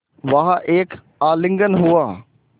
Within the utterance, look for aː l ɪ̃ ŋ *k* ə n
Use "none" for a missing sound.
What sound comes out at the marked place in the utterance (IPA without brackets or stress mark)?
ɡ